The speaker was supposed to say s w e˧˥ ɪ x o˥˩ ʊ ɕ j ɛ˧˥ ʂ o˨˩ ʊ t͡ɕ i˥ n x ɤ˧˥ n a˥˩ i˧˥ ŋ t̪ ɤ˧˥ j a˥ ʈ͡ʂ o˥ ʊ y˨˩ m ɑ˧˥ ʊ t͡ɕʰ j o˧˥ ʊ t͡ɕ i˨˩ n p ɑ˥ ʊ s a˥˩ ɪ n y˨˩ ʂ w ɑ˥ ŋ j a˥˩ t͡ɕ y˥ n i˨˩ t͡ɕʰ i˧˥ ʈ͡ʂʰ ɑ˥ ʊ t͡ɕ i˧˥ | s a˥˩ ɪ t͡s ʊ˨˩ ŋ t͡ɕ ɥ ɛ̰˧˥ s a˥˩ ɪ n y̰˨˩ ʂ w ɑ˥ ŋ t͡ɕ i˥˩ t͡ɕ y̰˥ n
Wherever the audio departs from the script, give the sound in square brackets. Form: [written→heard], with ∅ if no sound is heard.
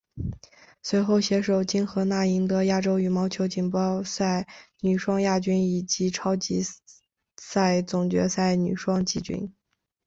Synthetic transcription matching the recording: s w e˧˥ ɪ x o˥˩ ʊ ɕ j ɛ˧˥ ʂ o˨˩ ʊ t͡ɕ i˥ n x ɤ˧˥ n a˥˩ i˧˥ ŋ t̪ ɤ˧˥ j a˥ ʈ͡ʂ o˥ ʊ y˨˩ m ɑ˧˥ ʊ t͡ɕʰ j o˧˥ ʊ t͡ɕ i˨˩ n p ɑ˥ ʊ s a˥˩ ɪ n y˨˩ ʂ w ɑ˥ ŋ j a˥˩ t͡ɕ y˥ n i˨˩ [t͡ɕʰ→t͡ɕ] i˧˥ ʈ͡ʂʰ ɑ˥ ʊ t͡ɕ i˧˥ | s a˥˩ ɪ t͡s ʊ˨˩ ŋ t͡ɕ ɥ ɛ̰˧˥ s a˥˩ ɪ n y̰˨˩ ʂ w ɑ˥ ŋ t͡ɕ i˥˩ t͡ɕ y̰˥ n